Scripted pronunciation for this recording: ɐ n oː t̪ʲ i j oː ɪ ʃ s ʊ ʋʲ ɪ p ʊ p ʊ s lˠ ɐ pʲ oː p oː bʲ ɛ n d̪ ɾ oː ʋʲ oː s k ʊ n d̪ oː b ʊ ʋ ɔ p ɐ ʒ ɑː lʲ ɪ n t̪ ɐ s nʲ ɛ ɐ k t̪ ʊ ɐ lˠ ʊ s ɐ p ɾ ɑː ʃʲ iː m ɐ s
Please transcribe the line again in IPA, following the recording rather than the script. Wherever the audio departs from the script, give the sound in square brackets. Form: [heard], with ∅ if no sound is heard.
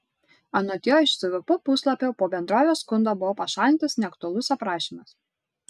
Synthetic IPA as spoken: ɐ n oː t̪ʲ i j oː ɪ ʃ s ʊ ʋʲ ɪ p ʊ p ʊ s lˠ ɐ pʲ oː p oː bʲ ɛ n d̪ ɾ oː ʋʲ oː s k ʊ n d̪ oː b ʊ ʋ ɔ p ɐ [ʃ] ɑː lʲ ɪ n t̪ ɐ s nʲ ɛ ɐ k t̪ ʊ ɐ lˠ ʊ s ɐ p ɾ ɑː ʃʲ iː m ɐ s